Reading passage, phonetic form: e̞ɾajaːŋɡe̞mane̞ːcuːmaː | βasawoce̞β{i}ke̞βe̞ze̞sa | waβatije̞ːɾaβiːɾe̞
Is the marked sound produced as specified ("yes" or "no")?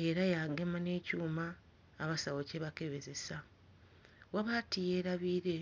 no